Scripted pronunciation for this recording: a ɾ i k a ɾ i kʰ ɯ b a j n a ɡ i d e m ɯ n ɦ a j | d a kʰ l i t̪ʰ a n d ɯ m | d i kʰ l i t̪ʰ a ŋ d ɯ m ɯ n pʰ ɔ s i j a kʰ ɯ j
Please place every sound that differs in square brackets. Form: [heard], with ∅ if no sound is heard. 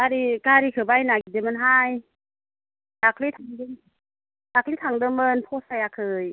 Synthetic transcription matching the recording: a ɾ i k a ɾ i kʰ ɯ b a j n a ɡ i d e m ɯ n ɦ a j | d a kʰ l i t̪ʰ a [ŋ] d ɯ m | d [a] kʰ l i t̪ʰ a ŋ d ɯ m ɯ n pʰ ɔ s [a] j a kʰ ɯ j